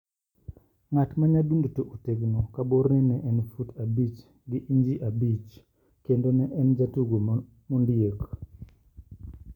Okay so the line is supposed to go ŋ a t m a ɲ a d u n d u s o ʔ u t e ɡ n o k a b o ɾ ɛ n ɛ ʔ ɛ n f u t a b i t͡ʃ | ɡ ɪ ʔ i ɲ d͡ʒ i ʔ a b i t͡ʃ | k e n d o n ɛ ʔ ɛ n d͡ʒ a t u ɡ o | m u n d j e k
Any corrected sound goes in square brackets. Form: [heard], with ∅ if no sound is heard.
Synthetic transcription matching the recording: ŋ a t m a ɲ a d u n d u [t] o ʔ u t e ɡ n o k a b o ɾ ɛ n ɛ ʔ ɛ n f u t a b i t͡ʃ | ɡ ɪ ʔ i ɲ d͡ʒ i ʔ a b i t͡ʃ | k e n d o n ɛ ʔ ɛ n d͡ʒ a t u ɡ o | m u n d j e k